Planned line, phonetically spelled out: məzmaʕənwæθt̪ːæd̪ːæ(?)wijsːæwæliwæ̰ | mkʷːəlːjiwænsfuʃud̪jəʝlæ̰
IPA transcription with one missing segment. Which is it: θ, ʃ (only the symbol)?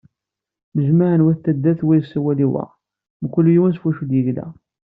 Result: θ